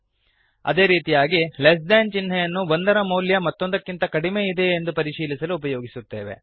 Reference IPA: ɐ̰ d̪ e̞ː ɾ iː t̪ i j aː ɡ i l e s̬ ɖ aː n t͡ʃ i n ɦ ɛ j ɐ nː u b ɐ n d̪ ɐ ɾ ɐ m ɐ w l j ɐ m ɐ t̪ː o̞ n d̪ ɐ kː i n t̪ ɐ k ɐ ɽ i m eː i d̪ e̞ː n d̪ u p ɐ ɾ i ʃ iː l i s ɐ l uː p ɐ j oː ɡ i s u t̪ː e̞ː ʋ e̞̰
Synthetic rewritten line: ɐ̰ d̪ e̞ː ɾ iː t̪ i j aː ɡ i l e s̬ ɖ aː n t͡ʃ i n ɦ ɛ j ɐ nː u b ɐ n d̪ ɐ ɾ ɐ m ɐ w l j ɐ m ɐ t̪ː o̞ n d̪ ɐ kː i n t̪ ɐ k ɐ ɽ i m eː i d̪ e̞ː n d̪ u p ɐ ɾ i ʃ iː l i s ɐ l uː p ɐ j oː ɡ i s u t̪ː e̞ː ʋ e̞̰